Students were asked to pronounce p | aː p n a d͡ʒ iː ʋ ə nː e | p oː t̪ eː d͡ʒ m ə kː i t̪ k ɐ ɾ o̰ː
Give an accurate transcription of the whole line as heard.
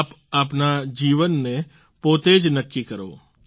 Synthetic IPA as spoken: p | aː p n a d͡ʒ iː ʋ ə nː e | p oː t̪ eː d͡ʒ n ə kː i k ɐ ɾ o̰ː